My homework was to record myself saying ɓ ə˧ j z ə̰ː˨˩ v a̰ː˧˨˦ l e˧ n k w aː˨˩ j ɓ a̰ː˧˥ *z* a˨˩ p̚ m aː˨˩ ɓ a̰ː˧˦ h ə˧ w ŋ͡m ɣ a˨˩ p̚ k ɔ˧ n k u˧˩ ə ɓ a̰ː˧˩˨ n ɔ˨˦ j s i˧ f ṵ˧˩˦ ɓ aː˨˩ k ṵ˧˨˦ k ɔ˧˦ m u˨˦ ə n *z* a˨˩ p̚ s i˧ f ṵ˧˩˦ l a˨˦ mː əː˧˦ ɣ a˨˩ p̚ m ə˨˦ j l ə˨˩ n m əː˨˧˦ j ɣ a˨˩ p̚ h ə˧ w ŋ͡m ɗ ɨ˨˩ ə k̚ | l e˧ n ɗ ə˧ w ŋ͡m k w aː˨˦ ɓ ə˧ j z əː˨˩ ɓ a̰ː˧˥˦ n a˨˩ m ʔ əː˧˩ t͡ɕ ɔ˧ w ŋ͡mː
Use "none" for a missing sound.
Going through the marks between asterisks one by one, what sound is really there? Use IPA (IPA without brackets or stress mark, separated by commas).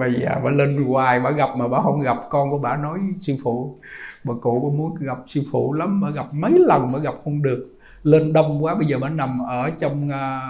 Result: ɣ, ɣ